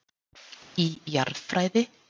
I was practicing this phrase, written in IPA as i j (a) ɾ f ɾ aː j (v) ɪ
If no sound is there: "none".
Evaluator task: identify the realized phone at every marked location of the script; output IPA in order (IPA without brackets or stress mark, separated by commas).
a, ð